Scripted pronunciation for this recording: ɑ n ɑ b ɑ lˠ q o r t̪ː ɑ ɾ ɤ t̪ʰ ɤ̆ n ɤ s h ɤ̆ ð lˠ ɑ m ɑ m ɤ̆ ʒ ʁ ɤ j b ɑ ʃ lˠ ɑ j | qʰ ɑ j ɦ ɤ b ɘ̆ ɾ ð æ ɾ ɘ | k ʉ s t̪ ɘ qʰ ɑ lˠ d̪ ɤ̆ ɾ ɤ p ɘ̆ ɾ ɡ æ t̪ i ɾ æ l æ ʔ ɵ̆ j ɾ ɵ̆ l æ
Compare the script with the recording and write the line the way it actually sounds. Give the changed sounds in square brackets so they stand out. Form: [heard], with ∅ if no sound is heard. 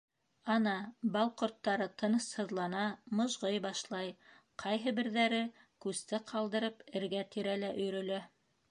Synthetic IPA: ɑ n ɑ b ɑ lˠ q o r t̪ː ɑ ɾ ɤ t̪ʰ ɤ̆ n ɤ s h ɤ̆ ð lˠ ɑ [n] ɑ m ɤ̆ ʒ ʁ ɤ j b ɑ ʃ lˠ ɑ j | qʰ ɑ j ɦ ɤ b ɘ̆ ɾ ð æ ɾ ɘ | k ʉ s t̪ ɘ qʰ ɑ lˠ d̪ ɤ̆ ɾ ɤ p ɘ̆ ɾ ɡ æ t̪ i ɾ æ l æ ʔ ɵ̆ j ɾ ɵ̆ l æ